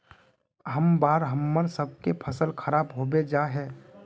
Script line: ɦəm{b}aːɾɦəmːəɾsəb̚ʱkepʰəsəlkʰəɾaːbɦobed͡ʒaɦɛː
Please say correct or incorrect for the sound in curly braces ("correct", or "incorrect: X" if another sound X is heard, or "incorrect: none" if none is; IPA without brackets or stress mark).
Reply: correct